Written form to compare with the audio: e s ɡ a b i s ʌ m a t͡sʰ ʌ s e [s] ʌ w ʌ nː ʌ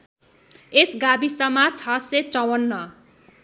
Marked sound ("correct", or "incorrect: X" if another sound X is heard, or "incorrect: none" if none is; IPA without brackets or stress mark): incorrect: t͡s